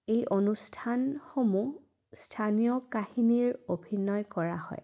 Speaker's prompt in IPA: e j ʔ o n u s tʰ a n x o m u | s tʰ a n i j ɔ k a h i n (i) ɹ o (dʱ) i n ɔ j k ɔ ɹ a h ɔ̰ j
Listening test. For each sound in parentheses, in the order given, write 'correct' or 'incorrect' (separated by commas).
correct, incorrect